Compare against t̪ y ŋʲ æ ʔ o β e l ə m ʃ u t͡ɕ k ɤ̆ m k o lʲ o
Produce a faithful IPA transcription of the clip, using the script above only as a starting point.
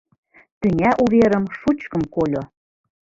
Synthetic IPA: t̪ y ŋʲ æ ʔ u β e ɾ ə m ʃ u t͡ɕ k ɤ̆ m k o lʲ o